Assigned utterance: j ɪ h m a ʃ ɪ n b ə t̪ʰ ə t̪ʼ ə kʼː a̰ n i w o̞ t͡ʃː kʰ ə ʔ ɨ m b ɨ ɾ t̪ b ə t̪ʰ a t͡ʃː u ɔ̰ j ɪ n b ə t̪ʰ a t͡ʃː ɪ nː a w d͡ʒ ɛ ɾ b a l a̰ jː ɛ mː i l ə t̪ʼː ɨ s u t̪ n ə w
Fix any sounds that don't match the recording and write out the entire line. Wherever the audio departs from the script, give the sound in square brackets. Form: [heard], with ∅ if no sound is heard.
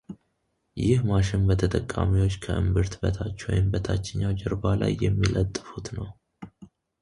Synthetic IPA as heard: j ɪ h m a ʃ ɪ n b ə t̪ʰ ə t̪ʼ ə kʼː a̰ [m] i w o̞ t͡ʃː kʰ ə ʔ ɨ m b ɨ ɾ t̪ b ə t̪ʰ a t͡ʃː [w] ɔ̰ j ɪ [m] b ə t̪ʰ a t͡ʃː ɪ [ɲː] a w d͡ʒ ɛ ɾ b a l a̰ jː ɛ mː i l ə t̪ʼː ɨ [f] u t̪ n ə w